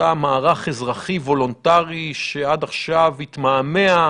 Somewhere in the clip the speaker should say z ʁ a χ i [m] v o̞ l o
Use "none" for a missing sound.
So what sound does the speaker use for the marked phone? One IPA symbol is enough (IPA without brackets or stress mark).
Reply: none